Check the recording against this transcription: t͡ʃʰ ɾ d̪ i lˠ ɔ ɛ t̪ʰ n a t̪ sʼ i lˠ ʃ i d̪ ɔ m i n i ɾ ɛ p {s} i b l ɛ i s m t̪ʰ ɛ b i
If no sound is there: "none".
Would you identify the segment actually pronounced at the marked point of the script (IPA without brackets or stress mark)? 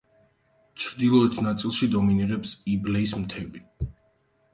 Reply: s